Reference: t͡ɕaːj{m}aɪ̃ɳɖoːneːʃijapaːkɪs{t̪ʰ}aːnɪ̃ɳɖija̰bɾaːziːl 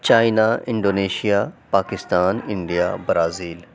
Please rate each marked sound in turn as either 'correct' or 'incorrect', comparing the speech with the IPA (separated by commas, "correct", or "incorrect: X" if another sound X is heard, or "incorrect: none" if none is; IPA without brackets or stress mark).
incorrect: n, incorrect: t̪